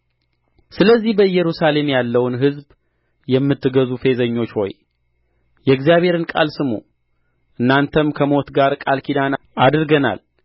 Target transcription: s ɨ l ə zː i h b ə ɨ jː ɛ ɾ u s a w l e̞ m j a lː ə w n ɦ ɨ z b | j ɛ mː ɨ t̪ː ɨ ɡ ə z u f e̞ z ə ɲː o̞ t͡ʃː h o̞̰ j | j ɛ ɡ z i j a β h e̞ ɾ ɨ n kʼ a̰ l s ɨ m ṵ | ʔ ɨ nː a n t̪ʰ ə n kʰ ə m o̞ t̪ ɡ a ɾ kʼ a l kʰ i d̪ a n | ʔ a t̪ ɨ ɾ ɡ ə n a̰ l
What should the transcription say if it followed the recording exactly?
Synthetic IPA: s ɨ l ə zː i h b ə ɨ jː ɛ ɾ u s a l e̞ m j a lː ə w n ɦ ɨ z b | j ɛ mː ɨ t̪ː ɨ ɡ ə z u f e̞ z ə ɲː o̞ t͡ʃː h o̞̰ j | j ɛ ɡ z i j a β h e̞ ɾ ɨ n kʼ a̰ l s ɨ m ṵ | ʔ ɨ nː a n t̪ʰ ə m kʰ ə m o̞ t̪ ɡ a ɾ kʼ a l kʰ i d̪ a n | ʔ a d̪ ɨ ɾ ɡ ə n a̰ l